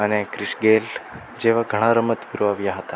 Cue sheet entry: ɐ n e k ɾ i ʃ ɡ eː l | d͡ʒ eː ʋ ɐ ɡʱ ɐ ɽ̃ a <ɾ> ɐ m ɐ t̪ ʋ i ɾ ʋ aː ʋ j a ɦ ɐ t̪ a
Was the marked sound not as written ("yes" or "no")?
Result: no